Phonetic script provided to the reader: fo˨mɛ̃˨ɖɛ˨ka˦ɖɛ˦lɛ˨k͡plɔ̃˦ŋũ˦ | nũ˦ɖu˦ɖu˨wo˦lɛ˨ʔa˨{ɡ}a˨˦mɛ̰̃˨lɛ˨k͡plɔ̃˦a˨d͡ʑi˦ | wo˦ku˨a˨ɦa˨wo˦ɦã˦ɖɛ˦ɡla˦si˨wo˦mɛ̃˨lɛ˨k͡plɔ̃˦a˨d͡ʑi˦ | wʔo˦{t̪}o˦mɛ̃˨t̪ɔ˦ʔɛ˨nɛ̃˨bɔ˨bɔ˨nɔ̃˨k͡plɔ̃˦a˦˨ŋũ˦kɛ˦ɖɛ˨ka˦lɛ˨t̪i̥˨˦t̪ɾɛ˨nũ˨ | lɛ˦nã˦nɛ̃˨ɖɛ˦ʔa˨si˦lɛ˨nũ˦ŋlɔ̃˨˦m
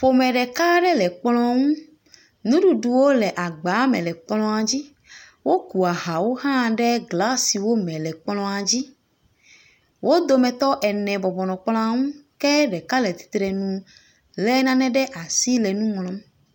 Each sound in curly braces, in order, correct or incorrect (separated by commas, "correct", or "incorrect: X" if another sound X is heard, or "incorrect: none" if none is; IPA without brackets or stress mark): incorrect: ɡ͡b, incorrect: d̪